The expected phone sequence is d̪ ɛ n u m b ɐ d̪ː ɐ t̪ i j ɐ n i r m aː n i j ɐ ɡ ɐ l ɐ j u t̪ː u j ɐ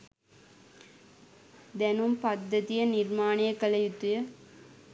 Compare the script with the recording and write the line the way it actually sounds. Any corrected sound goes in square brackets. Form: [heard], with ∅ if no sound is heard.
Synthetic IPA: d̪ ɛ n u m [p] ɐ d̪ː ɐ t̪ i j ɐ n i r m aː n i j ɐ [k] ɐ l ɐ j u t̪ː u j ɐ